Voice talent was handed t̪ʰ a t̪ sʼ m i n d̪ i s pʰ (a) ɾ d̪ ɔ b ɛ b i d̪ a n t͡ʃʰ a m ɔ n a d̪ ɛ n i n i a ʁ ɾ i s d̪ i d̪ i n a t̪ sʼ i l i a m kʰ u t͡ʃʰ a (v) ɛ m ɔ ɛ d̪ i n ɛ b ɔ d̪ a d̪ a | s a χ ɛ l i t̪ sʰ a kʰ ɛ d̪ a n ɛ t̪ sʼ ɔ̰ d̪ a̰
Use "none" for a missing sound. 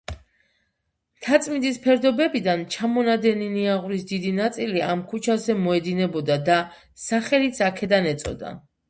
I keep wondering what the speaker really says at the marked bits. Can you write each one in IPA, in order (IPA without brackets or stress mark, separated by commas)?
ɛ, z